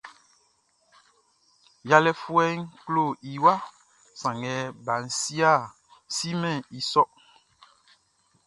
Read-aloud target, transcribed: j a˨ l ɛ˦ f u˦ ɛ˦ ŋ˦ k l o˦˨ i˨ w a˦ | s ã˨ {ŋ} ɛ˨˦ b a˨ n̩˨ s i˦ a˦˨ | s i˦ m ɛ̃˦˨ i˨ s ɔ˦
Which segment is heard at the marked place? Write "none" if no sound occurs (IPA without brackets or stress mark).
ŋ